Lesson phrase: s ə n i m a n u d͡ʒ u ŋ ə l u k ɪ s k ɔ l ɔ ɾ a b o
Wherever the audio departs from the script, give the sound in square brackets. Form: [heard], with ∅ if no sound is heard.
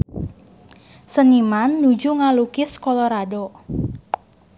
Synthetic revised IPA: s ə n i m a [nː] u d͡ʒ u ŋ [a] l u k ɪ s k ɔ l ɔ ɾ a [d] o